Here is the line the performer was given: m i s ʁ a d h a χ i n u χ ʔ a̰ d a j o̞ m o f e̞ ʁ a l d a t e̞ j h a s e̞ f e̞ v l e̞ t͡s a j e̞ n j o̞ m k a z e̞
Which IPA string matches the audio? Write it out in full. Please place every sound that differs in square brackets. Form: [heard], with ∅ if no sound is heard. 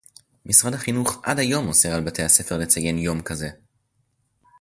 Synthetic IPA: m i s ʁ a d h a χ i n u χ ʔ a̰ d a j o̞ m o [s] e̞ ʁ a l [b] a t e̞ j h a s e̞ f e̞ [ʁ] l e̞ t͡s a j e̞ n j o̞ m k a z e̞